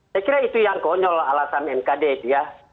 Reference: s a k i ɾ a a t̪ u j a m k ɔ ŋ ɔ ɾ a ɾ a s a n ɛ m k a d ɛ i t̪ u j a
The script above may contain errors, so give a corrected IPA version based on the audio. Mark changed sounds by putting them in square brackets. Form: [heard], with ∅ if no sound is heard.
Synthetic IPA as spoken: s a k i ɾ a [i] t̪ u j a [ŋ] k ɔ [ɲ] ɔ [l] a [l] a s a n ɛ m k a d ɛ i t̪ u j a